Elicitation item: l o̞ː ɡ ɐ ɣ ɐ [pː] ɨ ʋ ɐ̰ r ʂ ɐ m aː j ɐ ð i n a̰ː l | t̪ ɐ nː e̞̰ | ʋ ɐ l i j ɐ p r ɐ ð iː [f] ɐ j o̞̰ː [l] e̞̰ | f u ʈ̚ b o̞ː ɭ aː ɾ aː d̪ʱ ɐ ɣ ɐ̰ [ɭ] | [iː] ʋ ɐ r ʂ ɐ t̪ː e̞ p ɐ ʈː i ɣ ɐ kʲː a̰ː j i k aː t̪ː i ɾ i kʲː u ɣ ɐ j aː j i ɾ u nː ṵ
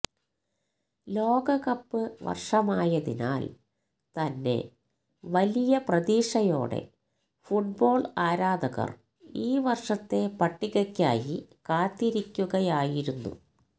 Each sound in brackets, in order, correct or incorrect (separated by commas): correct, incorrect, incorrect, incorrect, correct